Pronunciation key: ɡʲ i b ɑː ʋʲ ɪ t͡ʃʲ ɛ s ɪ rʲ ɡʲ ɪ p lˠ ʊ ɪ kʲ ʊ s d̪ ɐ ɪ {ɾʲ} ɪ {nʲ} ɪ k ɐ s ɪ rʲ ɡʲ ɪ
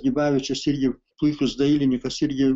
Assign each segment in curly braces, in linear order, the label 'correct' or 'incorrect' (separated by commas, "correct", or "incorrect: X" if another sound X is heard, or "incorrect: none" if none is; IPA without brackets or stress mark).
incorrect: lʲ, correct